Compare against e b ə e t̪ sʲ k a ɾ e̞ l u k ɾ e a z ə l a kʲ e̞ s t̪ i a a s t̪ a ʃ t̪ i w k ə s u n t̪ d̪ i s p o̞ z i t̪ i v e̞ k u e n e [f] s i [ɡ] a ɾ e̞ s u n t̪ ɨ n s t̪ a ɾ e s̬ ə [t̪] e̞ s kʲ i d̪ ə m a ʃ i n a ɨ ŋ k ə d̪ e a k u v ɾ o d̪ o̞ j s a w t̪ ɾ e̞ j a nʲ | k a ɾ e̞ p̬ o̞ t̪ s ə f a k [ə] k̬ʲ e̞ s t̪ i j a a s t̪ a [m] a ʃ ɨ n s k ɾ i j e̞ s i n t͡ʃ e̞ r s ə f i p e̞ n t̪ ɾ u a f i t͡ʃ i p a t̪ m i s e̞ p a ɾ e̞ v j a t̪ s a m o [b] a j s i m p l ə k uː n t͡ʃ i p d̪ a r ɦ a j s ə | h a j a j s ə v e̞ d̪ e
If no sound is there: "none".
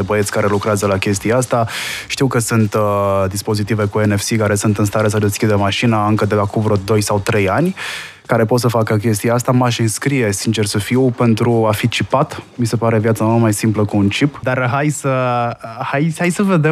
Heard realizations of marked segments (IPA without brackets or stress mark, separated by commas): f, k, d̪, ə, m, m